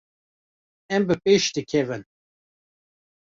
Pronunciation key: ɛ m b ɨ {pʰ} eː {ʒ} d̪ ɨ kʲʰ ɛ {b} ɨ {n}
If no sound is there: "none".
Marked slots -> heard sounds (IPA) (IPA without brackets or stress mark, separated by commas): p, ʃ, v, n